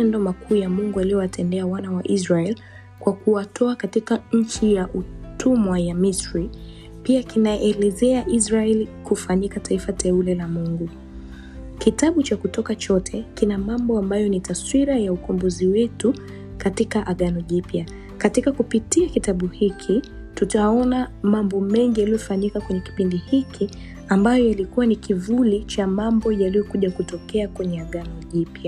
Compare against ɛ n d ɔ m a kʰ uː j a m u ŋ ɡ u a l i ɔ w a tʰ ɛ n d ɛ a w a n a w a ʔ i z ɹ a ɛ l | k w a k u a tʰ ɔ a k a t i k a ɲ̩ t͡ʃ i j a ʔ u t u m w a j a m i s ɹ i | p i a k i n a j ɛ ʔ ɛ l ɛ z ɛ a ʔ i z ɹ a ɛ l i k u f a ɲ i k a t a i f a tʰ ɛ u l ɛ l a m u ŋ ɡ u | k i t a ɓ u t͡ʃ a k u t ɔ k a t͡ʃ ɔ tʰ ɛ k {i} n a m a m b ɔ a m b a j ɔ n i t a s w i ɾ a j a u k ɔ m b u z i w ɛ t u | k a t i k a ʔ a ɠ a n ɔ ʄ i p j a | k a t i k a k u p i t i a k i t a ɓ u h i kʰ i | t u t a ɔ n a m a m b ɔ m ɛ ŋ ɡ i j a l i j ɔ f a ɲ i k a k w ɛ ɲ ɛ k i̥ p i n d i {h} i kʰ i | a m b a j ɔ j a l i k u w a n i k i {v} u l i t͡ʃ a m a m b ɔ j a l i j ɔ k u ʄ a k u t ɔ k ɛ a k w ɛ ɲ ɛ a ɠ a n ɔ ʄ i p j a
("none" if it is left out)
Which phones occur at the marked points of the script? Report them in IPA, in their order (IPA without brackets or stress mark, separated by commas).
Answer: i, h, v